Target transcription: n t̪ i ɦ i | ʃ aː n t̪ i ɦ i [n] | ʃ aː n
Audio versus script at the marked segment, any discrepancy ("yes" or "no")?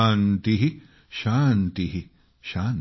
yes